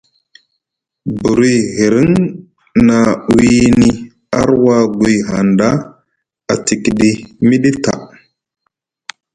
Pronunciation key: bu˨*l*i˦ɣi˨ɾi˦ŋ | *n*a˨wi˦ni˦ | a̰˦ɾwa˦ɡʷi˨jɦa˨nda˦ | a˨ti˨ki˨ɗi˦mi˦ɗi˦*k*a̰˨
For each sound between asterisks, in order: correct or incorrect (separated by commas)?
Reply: incorrect, correct, incorrect